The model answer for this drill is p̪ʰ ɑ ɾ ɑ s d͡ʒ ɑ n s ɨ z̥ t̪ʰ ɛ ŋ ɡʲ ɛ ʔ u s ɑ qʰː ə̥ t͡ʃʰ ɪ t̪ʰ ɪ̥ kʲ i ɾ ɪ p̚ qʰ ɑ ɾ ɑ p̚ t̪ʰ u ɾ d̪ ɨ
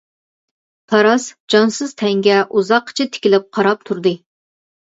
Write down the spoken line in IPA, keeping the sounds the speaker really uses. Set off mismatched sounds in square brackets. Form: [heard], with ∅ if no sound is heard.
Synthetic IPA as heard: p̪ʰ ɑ ɾ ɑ s d͡ʒ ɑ n s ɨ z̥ t̪ʰ ɛ ŋ ɡʲ ɛ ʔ u [z] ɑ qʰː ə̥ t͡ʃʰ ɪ t̪ʰ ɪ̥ kʲ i [l] ɪ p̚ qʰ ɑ ɾ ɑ p̚ t̪ʰ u ɾ d̪ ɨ